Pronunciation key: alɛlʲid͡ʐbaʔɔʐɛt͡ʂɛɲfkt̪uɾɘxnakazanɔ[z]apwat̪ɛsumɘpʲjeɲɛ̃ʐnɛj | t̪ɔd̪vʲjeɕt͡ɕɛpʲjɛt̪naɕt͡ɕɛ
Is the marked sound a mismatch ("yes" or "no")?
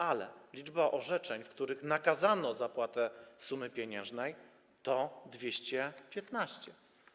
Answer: no